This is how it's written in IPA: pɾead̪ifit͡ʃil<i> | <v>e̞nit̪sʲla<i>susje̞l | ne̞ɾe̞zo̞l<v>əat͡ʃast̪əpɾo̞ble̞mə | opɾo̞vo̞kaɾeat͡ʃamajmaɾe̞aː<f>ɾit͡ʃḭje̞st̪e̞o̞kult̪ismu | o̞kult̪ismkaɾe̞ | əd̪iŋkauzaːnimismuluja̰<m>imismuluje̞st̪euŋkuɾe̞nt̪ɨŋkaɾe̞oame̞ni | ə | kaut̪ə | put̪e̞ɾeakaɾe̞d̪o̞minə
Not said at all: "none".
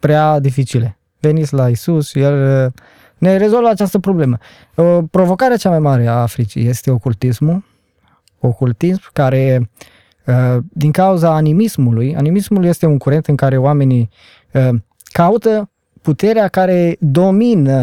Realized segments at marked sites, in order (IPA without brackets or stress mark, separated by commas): e, v, i, v, f, n